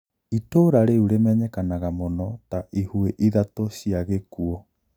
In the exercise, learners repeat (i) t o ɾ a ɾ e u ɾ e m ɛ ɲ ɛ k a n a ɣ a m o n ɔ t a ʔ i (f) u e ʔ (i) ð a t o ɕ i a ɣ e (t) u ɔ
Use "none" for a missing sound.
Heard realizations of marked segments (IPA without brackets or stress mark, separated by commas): i, h, i, k